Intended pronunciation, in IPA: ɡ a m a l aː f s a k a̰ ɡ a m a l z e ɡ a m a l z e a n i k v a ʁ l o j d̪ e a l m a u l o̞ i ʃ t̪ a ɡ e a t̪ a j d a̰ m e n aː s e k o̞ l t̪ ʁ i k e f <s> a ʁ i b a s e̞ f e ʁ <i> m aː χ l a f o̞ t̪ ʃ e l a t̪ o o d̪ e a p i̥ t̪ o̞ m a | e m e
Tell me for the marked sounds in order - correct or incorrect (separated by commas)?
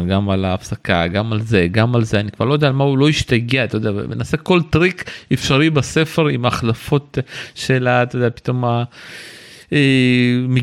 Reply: incorrect, correct